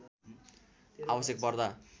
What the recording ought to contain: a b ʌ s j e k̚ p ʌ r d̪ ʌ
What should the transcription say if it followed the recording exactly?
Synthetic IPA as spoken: a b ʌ s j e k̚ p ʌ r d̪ a

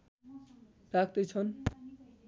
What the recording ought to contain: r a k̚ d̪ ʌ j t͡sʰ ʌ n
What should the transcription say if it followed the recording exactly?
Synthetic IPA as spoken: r a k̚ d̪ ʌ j t͡sʰ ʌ n

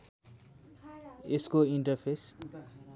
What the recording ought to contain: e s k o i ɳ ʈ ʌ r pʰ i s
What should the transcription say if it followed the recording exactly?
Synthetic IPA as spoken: e s k o i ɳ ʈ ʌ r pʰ e s

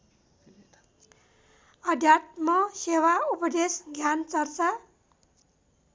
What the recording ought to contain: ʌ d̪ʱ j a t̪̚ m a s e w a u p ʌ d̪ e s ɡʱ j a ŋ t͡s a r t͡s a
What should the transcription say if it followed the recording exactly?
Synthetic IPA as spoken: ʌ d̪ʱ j a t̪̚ m ʌ s e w a u p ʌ d̪ e s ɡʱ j a n t͡s ʌ r t͡s a

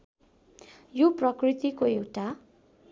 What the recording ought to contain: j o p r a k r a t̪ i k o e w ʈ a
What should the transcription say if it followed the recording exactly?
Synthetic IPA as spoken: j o p r ʌ k r i t̪ i k o e w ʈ a

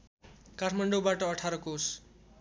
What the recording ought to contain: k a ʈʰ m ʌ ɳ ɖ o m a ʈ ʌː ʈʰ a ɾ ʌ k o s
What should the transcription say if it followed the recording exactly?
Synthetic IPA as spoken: k a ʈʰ m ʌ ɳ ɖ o b a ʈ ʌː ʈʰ a ɾ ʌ k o s

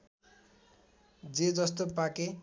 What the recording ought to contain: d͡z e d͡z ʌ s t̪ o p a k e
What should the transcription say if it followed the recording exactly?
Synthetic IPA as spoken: d͡z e d͡z ʌ s t̪ o p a k e

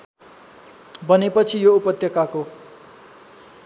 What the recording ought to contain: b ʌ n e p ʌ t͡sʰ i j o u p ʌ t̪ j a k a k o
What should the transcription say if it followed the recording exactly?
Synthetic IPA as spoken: b ʌ n e p ʌ t͡sʰ i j o u p ʌ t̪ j ʌ k a k o

